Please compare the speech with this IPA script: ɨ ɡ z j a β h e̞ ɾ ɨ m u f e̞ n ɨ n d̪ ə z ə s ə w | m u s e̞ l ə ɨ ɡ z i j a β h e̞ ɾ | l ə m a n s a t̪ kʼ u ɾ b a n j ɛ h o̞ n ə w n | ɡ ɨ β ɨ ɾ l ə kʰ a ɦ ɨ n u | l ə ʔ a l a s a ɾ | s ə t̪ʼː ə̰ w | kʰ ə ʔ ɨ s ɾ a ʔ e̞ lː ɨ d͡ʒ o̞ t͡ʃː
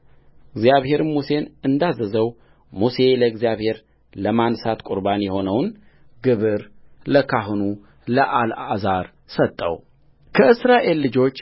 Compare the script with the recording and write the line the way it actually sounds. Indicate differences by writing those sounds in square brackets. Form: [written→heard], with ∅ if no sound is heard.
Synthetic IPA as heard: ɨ ɡ z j a β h e̞ ɾ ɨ m u [f→s] e̞ n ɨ n d̪ [ə→a] z ə [s→z] ə w | m u s e̞ l ə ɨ ɡ z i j a β h e̞ ɾ | l ə m a n s a t̪ kʼ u ɾ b a n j ɛ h o̞ n ə w n | ɡ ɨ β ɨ ɾ l ə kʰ a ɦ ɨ n u | l ə ʔ a l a [s→z] a ɾ | s ə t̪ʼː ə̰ w | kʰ ə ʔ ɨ s ɾ a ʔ e̞ lː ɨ d͡ʒ o̞ t͡ʃː